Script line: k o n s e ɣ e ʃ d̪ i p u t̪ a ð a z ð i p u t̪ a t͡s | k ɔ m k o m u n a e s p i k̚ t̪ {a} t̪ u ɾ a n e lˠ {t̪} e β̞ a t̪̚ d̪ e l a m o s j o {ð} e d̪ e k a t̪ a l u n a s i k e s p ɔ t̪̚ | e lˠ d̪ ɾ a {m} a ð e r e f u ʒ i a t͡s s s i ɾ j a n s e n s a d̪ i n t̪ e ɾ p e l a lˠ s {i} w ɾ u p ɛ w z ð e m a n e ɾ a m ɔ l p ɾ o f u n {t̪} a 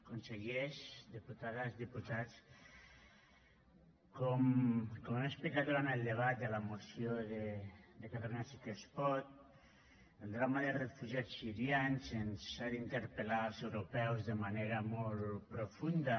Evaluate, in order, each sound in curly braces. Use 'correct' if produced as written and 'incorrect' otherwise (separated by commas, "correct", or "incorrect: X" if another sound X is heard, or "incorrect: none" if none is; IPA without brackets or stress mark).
correct, incorrect: d̪, correct, correct, incorrect: e, incorrect: d̪